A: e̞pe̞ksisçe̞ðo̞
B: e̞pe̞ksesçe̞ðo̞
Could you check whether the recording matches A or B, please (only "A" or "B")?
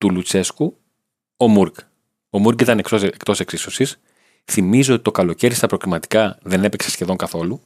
B